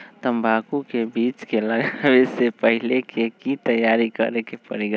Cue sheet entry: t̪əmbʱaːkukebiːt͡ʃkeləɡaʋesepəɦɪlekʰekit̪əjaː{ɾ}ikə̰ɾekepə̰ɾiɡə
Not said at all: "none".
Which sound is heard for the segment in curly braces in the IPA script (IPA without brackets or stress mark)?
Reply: ɾ